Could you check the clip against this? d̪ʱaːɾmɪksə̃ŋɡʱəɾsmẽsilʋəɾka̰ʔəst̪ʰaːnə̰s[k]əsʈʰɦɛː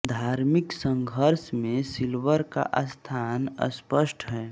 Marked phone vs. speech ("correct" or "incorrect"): incorrect